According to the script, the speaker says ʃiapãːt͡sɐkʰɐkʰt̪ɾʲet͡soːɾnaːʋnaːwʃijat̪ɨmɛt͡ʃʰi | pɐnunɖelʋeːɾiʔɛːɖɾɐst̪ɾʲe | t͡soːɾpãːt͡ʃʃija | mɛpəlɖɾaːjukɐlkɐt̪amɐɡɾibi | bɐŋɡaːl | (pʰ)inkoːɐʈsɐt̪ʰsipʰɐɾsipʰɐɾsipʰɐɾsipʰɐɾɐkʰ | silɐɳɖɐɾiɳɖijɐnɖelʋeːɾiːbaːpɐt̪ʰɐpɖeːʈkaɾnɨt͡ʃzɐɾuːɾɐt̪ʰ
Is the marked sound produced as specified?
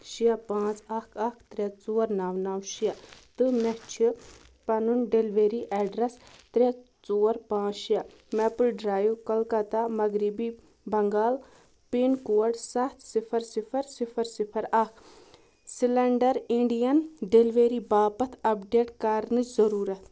no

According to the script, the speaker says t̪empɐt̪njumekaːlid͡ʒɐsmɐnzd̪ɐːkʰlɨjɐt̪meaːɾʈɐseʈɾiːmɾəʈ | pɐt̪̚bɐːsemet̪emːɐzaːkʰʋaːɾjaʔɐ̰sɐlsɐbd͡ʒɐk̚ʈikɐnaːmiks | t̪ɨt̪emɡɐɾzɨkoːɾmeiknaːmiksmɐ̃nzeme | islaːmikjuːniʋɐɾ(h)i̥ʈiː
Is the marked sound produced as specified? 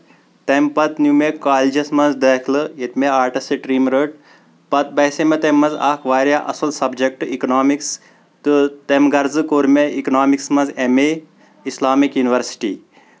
no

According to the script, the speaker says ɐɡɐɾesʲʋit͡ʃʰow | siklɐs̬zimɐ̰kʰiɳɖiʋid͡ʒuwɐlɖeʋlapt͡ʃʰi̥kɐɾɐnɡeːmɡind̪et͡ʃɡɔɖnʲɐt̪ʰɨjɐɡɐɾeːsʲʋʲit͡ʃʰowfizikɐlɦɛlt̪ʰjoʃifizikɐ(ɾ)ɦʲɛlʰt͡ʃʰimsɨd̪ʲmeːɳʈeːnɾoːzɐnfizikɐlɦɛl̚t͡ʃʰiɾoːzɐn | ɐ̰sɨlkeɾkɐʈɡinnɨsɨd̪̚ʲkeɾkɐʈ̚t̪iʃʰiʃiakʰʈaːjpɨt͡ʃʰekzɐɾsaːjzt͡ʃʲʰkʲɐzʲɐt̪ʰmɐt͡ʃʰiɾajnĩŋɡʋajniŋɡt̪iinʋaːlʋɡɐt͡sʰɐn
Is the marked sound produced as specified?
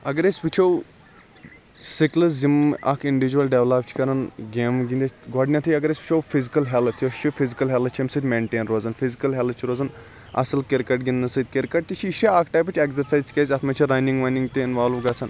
no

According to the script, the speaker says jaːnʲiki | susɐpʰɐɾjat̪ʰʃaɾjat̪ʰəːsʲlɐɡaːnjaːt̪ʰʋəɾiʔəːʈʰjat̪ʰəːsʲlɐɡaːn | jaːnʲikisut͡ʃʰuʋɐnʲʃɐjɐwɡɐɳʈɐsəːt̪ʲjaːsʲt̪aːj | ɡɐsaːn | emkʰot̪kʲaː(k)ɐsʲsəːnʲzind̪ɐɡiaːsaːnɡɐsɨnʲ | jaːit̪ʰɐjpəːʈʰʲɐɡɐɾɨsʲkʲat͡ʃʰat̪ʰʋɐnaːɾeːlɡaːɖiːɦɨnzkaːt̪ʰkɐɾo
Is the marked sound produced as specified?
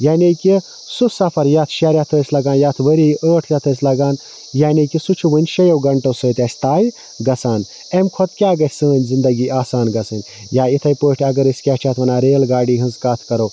no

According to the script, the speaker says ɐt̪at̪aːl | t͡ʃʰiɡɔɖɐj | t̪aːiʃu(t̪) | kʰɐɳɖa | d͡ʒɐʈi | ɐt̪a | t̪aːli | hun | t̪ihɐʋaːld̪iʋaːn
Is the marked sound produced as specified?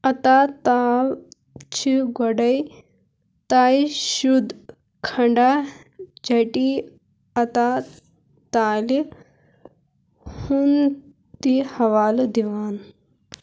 no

